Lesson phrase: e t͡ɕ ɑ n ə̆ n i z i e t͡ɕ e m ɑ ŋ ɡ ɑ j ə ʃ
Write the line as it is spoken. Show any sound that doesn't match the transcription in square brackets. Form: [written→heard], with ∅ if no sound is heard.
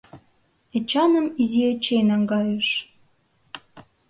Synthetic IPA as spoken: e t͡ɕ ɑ n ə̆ [n→m] i z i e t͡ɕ e [m→n] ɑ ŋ ɡ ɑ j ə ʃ